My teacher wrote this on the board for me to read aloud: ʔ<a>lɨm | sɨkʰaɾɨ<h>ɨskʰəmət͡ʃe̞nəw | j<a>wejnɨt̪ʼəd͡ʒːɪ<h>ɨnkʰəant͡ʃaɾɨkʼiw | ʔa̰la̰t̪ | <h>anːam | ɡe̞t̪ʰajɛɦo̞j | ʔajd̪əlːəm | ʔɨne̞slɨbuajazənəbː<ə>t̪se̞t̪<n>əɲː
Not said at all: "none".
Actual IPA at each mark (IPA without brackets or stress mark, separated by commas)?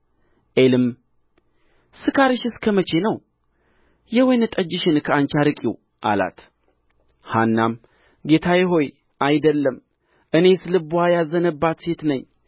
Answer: e, ʃ, ɛ, ʃ, h, a, n